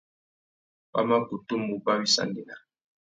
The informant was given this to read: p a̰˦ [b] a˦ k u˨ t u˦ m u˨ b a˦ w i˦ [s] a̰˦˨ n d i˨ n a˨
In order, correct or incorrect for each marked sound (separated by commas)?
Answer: incorrect, correct